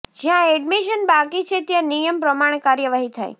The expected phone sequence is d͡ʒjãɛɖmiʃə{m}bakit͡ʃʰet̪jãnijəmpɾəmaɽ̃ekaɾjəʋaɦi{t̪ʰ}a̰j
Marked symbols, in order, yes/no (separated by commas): no, yes